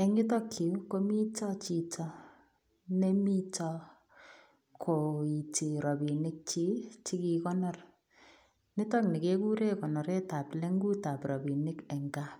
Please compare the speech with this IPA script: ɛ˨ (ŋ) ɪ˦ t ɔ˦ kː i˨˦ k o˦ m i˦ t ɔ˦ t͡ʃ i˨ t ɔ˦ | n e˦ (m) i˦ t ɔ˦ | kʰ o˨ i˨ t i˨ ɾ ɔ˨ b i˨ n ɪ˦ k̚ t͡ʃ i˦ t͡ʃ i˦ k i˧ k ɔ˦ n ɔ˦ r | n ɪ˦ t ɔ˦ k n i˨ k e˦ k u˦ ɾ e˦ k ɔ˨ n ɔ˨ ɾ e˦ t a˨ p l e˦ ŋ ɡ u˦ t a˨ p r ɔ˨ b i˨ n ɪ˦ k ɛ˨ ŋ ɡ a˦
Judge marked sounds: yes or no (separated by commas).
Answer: yes, yes